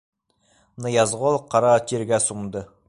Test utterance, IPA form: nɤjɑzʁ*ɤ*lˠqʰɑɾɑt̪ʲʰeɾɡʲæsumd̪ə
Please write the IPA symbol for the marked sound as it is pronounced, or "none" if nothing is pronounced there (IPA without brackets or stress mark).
o